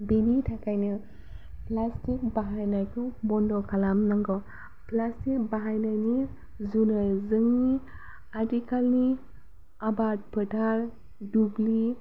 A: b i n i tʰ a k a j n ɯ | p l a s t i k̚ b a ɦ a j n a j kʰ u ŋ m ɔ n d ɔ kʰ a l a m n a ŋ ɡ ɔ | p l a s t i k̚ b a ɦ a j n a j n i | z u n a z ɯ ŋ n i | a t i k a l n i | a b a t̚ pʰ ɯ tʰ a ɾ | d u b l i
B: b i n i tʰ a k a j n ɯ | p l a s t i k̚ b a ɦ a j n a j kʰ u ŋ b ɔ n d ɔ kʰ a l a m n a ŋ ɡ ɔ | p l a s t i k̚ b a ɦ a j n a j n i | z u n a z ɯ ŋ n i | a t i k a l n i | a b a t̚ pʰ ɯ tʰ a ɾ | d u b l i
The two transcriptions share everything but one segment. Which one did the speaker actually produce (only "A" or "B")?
B